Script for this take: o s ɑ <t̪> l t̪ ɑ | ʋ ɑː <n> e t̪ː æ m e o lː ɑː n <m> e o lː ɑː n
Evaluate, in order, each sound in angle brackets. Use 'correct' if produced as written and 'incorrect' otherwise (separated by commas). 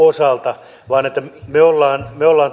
incorrect, correct, correct